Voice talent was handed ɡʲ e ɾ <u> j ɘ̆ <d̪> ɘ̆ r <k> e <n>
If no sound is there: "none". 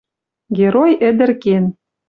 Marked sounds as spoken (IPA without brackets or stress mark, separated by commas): o, d̪, k, n